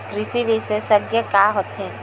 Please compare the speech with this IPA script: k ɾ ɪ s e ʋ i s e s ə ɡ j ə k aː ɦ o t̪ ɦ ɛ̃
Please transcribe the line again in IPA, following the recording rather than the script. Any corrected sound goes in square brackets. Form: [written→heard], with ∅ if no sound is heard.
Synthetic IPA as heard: k ɾ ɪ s [e→i] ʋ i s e s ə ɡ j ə k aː ɦ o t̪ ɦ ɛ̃